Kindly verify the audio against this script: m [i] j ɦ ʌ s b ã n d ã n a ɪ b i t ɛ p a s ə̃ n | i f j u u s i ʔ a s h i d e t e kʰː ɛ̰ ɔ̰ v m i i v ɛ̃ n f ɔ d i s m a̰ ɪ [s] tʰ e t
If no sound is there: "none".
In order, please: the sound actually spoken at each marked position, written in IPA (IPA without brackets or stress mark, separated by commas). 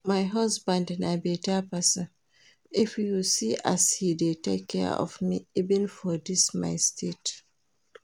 a, s